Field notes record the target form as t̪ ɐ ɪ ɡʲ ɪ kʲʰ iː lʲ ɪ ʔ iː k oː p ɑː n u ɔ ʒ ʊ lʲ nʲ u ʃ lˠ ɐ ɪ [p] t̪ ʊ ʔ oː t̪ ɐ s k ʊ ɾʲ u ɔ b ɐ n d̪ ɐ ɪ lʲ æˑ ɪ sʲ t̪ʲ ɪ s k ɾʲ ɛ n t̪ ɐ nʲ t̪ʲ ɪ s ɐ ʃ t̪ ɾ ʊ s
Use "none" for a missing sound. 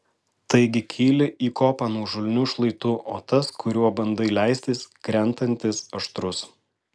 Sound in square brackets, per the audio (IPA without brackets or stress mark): none